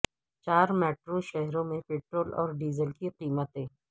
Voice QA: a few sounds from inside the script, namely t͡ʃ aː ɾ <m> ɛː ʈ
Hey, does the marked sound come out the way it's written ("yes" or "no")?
yes